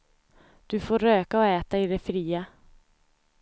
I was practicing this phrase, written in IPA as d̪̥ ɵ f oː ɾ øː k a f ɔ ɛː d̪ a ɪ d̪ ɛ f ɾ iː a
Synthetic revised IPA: d̪̥ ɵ f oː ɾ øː k a ɔ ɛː t̪ a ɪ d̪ ɛ f ɾ iː a